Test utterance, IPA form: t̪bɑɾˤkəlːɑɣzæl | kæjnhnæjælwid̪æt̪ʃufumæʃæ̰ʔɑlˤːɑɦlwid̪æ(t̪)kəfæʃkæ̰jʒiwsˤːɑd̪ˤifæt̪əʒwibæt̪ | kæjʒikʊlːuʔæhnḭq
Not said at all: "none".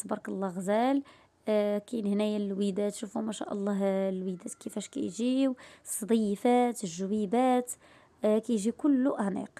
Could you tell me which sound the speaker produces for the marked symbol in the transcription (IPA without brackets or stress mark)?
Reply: t̪